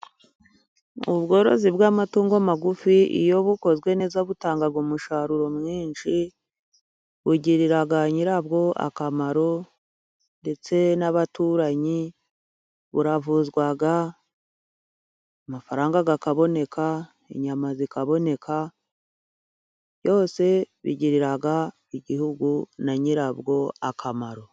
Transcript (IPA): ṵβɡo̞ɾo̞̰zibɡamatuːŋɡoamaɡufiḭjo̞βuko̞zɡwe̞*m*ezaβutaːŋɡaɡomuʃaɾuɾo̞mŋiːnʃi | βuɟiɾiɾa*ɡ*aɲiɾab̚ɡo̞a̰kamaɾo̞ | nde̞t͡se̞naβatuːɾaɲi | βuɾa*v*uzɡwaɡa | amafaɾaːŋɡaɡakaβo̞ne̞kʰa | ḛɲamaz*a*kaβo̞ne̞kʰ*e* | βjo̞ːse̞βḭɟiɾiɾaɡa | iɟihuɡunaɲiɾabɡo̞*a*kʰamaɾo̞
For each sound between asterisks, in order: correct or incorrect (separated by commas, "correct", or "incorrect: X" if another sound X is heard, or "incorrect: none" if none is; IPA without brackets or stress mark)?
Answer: incorrect: n, correct, correct, incorrect: i, incorrect: a, correct